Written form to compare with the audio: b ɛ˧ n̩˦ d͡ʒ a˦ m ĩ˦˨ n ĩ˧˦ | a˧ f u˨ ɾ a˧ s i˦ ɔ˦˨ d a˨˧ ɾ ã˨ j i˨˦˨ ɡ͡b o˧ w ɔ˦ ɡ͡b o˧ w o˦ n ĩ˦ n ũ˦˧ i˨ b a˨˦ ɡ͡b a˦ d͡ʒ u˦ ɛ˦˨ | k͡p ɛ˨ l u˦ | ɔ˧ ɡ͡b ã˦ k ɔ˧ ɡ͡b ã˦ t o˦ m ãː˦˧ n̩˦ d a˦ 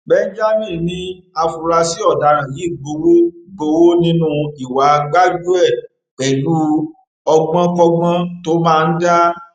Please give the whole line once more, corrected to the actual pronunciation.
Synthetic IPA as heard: b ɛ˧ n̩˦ d͡ʒ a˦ m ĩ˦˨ n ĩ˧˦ | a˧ f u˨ ɾ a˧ s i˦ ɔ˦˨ d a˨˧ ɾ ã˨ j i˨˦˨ ɡ͡b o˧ w o˦ ɡ͡b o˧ w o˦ n ĩ˦ n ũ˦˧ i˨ w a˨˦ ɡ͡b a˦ d͡ʒ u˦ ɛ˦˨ | k͡p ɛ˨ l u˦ | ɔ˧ ɡ͡b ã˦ k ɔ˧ ɡ͡b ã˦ t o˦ m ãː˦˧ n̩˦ d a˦